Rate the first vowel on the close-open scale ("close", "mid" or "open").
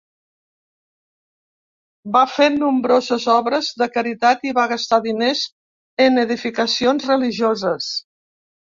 open